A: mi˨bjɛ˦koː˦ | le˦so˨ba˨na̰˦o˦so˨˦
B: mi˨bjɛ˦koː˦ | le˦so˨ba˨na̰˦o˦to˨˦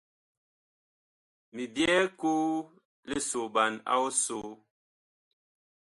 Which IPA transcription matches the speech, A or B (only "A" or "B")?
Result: A